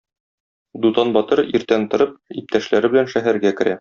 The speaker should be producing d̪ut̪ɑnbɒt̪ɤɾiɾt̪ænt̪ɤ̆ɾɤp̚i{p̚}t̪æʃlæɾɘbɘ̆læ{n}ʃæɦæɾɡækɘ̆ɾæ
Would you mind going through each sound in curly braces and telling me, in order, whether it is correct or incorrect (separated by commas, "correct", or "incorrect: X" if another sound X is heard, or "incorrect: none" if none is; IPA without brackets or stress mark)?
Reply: correct, correct